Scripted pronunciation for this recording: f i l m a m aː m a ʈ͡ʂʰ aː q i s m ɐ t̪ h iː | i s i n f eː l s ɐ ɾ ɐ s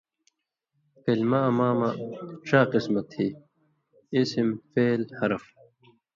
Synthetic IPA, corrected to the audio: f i l m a m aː m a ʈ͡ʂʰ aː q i s m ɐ t̪ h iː | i s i m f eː l h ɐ ɾ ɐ f